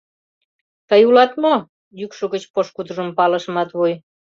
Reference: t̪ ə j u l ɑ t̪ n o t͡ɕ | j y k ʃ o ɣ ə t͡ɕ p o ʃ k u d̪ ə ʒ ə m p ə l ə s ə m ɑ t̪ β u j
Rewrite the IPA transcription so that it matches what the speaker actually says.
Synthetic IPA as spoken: t̪ ə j u l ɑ t̪ m o | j y k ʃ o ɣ ə t͡ɕ p o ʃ k u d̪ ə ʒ ə m p ɑ l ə ʃ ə m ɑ t̪ β u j